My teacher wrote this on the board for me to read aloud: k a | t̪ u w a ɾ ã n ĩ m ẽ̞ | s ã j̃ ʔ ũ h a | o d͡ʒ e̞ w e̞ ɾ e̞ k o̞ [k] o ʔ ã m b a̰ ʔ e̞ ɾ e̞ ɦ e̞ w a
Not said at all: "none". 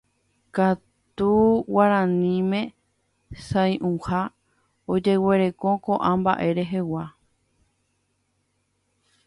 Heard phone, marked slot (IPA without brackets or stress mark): k